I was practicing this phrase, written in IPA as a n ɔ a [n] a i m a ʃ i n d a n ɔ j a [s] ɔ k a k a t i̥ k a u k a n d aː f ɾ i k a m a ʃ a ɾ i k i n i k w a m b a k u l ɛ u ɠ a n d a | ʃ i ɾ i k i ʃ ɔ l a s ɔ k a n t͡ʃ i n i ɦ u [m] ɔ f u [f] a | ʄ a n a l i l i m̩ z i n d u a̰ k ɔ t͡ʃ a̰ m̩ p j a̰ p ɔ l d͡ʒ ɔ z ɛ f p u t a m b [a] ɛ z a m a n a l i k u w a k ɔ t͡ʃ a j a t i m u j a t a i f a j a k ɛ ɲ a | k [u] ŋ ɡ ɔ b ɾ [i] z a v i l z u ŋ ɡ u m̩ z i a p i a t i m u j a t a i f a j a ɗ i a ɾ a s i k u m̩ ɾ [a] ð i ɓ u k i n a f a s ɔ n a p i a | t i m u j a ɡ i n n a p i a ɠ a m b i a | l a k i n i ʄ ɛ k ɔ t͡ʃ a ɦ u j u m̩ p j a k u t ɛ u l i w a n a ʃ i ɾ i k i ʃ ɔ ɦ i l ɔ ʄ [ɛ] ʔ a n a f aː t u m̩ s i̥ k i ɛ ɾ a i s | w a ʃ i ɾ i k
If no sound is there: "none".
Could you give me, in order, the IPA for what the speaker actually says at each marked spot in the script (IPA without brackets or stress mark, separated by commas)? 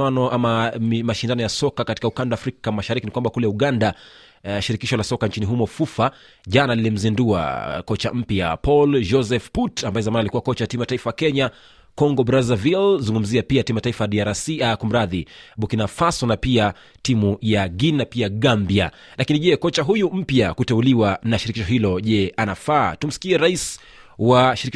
m, s, m, f, a, ɔ, a, a, ɛ